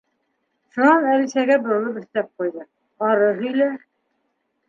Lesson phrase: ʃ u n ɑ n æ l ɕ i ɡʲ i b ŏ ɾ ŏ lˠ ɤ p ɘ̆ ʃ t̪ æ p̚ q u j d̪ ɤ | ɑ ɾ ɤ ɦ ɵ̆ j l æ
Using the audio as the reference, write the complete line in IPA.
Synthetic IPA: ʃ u n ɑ n æ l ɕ æ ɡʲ æ b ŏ ɾ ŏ lˠ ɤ p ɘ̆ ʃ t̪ æ p̚ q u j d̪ ɤ | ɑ ɾ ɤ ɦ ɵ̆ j l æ